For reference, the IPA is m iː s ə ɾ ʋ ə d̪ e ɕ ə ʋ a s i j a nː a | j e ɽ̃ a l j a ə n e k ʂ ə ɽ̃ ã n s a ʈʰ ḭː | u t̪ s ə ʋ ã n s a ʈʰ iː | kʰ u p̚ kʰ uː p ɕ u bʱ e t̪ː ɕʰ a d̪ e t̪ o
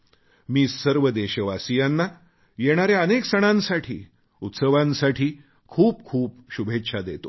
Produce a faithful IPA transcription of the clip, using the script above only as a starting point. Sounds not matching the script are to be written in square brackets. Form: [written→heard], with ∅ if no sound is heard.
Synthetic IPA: m iː s ə ɾ ʋ ə d̪ e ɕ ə ʋ a s i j a nː a | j e ɽ̃ a [l→ɾ] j a ə n e k [ʂ→s] ə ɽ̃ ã n s a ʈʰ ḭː | u t̪ s ə ʋ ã n s a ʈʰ iː | kʰ [u→uː] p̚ kʰ uː p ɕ u bʱ e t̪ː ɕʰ a d̪ e t̪ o

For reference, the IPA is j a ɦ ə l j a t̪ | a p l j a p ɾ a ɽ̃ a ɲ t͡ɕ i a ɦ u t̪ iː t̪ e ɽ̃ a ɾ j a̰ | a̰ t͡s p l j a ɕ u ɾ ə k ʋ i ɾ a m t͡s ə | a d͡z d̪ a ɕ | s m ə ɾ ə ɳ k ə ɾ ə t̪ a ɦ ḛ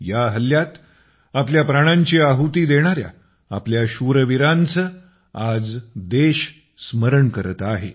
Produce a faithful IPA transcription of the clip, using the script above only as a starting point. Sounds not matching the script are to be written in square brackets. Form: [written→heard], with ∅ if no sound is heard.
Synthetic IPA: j a ɦ ə l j a t̪ | a p l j a p ɾ a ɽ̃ a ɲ t͡ɕ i a ɦ u t̪ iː [t̪→d̪] e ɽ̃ a ɾ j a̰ | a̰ [t͡s→∅] p l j a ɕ u ɾ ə [k→∅] ʋ i ɾ a [m→n] t͡s ə | a d͡z d̪ [a→e] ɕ | s m ə ɾ ə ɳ k ə ɾ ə t̪ a ɦ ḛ

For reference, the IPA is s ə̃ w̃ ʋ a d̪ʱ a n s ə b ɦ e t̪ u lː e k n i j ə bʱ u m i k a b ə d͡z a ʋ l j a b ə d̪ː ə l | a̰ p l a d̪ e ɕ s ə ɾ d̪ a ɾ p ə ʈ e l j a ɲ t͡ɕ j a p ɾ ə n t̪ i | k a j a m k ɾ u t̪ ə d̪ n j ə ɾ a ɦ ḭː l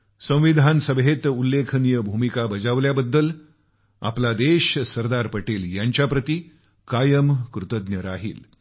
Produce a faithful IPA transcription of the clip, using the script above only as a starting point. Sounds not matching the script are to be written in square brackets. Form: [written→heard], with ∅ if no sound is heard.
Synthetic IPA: s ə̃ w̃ ʋ [a→i] d̪ʱ a n s ə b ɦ e t̪ u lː e [k→kʰ] n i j ə bʱ u m i k a b ə d͡z a ʋ l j a b ə d̪ː ə l | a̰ p l a d̪ e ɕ s ə ɾ d̪ a ɾ p ə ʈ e l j a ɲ t͡ɕ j a p ɾ ə [n→∅] t̪ i | k a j [a→ə] m k ɾ u t̪ ə d̪ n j ə ɾ a ɦ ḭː l

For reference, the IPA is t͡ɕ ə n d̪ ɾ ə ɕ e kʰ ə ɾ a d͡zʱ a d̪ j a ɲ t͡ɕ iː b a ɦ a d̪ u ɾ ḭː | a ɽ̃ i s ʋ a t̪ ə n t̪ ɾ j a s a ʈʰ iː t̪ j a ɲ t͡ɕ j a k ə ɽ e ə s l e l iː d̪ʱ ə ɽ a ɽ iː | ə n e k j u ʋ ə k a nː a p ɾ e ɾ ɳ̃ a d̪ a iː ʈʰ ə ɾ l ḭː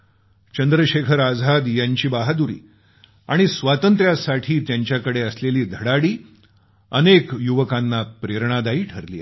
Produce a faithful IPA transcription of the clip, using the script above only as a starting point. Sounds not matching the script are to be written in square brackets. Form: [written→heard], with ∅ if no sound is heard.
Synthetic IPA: t͡ɕ ə n d̪ ɾ ə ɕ e kʰ ə ɾ a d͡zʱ a d̪ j a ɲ t͡ɕ iː b a ɦ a d̪ u ɾ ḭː | a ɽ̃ i s ʋ a t̪ ə n t̪ ɾ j a s a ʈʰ iː t̪ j a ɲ t͡ɕ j a k ə ɽ e ə s l e l iː d̪ʱ ə ɽ a ɽ iː | ə n e k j u ʋ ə k a nː a p ɾ e ɾ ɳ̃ a d̪ a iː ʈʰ ə ɾ l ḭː

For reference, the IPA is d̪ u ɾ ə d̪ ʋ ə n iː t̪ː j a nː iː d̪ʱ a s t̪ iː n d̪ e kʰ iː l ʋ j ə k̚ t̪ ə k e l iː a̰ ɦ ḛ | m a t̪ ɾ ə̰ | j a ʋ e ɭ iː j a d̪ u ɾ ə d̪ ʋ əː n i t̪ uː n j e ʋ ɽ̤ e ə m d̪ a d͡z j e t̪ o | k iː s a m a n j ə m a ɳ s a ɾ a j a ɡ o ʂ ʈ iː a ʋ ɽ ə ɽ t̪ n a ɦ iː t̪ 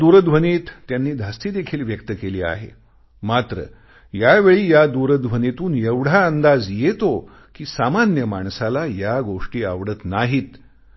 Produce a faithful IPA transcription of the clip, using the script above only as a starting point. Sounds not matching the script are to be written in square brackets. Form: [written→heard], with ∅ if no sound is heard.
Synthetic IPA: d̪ u ɾ ə d̪ ʋ ə n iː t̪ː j a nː iː d̪ʱ a s t̪ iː [n→∅] d̪ e kʰ iː l ʋ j ə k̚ t̪ ə k e l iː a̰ ɦ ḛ | m a t̪ ɾ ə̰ | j a ʋ e ɭ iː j a d̪ u ɾ ə d̪ ʋ [əː→ə] n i t̪ uː n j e ʋ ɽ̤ [e→a] ə [m→n] d̪ a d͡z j e t̪ o | k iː s a m a n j ə m a ɳ s a [ɾ→l] a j a ɡ o ʂ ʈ iː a ʋ ɽ ə [ɽ→∅] t̪ n a ɦ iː t̪

